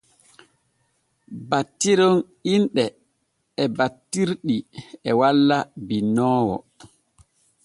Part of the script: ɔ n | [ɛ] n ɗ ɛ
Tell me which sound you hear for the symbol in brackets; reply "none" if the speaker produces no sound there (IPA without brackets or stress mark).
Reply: i